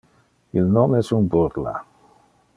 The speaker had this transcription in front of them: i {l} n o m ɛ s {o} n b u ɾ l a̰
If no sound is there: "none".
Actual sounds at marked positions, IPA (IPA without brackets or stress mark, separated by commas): l, u